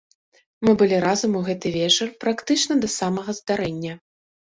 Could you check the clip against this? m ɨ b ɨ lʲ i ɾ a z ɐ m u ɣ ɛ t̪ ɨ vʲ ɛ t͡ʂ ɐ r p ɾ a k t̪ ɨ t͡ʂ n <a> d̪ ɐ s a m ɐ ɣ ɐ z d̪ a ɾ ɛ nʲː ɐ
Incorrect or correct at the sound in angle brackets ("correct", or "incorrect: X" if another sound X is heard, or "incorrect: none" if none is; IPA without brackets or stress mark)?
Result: incorrect: ɐ